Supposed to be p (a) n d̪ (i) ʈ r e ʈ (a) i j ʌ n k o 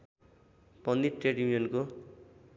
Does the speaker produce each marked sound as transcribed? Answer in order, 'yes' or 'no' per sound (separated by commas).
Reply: no, yes, no